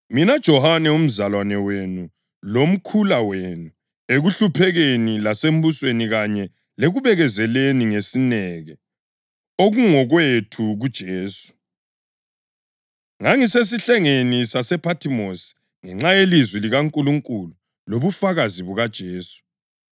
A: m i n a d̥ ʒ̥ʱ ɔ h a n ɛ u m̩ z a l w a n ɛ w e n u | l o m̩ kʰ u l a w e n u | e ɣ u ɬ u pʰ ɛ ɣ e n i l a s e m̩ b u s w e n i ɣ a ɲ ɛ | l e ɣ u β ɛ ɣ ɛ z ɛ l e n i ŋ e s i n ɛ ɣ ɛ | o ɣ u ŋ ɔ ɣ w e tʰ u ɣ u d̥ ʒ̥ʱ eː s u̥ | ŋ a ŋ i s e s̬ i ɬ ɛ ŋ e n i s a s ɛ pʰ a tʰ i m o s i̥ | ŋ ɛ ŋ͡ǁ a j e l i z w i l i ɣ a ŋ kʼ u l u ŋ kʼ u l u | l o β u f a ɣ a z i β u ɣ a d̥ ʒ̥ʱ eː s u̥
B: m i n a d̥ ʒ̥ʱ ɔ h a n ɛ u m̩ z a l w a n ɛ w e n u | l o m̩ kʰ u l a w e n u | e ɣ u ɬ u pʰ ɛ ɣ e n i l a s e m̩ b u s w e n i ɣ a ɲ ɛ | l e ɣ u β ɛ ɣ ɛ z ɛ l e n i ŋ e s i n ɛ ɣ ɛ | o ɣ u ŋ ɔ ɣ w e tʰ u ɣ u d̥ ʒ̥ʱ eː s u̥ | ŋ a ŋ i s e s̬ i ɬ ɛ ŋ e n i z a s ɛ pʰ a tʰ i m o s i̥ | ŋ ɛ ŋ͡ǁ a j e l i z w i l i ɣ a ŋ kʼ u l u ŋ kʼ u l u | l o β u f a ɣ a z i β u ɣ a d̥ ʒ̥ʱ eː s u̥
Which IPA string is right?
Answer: A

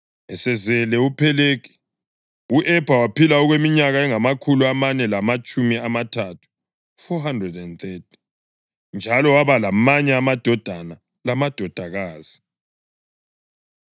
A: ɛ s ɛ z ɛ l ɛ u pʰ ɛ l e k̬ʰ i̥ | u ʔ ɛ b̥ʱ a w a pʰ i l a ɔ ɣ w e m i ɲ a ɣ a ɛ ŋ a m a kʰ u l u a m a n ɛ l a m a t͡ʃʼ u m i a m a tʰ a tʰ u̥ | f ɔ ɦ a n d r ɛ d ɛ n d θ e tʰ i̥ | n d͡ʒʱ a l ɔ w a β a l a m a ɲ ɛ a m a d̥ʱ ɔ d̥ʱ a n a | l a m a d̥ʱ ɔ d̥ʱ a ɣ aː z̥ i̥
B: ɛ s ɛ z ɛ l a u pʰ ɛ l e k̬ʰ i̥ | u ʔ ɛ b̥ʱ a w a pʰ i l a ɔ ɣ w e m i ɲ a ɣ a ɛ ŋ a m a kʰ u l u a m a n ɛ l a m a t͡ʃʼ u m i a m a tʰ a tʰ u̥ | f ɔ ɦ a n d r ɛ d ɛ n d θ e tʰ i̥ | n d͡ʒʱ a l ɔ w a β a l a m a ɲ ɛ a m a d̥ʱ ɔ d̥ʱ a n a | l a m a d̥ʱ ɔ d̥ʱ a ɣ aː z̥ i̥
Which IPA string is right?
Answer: A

